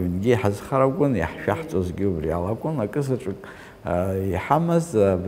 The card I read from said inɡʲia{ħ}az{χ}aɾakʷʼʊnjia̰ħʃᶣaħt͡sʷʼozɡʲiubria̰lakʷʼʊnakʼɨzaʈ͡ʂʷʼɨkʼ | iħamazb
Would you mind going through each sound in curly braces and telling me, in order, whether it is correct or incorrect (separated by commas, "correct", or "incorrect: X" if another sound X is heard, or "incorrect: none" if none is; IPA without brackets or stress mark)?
correct, correct